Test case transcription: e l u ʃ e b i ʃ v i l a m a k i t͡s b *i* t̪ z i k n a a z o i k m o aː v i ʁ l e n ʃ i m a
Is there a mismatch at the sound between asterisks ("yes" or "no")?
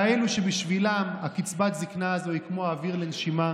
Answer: yes